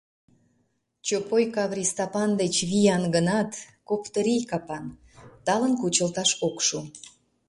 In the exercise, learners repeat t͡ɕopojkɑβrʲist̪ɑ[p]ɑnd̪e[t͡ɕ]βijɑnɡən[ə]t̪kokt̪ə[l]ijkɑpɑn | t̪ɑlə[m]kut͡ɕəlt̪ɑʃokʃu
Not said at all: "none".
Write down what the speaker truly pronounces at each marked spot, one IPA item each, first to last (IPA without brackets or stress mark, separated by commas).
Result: p, t͡ɕ, ɑ, ɾ, n